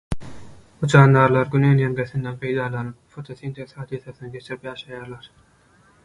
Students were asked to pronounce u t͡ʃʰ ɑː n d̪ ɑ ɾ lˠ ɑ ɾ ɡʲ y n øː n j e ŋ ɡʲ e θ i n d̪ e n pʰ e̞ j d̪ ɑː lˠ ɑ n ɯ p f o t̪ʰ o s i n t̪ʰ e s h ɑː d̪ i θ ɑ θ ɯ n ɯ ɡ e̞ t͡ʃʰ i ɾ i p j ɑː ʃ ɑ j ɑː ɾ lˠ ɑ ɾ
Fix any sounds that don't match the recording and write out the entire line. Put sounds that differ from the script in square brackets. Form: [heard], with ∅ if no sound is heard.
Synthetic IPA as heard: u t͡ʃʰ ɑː n d̪ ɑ ɾ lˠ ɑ ɾ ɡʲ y n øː n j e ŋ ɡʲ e θ i n d̪ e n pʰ e̞ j d̪ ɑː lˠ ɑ n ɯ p f o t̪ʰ o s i n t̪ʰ e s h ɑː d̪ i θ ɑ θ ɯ n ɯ ɡ e̞ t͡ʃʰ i ɾ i p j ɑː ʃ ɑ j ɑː ɾ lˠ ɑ ɾ